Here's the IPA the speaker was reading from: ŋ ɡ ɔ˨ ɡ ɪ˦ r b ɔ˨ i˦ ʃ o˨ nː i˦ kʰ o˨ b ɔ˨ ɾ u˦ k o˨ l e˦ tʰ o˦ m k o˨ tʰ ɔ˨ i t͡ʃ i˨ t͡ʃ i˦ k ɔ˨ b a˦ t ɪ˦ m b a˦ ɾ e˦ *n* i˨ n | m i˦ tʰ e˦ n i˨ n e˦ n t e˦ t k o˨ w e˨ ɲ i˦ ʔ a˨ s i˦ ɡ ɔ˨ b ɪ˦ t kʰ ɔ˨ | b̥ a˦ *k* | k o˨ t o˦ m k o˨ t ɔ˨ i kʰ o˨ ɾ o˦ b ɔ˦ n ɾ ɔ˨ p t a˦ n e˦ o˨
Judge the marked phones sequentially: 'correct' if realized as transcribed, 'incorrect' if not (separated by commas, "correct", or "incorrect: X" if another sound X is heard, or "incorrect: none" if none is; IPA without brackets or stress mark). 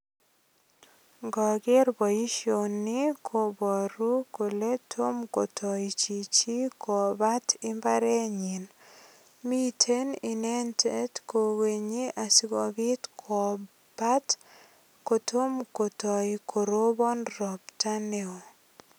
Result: incorrect: ɲ, incorrect: t